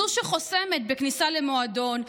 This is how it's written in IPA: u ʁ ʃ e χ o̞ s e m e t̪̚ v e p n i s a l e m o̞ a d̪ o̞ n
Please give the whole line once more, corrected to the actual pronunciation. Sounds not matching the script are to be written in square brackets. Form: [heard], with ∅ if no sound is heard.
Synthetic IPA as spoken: u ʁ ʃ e χ o̞ s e m e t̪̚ [b] e [k] n i s a l e m o̞ a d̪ o̞ n